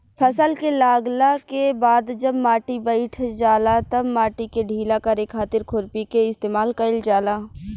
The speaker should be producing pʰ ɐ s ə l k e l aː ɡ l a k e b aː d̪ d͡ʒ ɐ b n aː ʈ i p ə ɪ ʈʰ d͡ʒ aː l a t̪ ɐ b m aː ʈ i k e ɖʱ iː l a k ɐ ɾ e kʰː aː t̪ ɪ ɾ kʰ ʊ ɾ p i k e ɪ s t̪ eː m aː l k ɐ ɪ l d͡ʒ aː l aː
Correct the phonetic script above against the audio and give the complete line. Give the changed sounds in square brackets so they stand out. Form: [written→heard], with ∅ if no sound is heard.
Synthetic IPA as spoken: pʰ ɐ s ə l k e l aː ɡ l a k e b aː d̪ d͡ʒ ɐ b [n→m] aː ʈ i [p→b] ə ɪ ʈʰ d͡ʒ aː l a t̪ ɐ b m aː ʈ i k e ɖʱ iː l a k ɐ ɾ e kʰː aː t̪ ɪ ɾ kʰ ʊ ɾ p i k e ɪ s t̪ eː m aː l k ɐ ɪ l d͡ʒ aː l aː